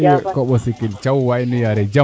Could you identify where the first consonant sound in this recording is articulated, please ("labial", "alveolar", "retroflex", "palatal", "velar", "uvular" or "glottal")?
velar